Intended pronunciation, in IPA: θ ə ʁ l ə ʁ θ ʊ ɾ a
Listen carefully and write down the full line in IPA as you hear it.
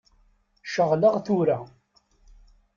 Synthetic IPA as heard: ʃ ə ʁ l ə ʁ θ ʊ ɾ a